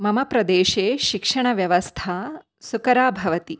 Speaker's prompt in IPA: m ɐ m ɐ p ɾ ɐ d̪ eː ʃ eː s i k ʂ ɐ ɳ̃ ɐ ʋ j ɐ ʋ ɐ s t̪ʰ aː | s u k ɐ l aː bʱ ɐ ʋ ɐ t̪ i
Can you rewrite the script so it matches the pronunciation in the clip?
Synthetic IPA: m ɐ m ɐ p ɾ ɐ d̪ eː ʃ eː ʃ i k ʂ ɐ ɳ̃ ɐ ʋ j ɐ ʋ ɐ s t̪ʰ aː | s u k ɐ ɾ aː bʱ ɐ ʋ ɐ t̪ i